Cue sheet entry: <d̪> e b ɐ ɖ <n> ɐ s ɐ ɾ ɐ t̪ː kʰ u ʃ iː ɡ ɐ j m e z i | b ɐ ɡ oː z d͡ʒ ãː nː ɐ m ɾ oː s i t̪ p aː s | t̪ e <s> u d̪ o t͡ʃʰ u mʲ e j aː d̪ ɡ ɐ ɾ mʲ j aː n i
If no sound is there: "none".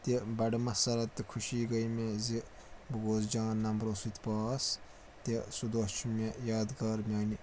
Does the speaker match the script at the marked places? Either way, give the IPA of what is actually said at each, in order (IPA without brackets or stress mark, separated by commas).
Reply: t̪, m, s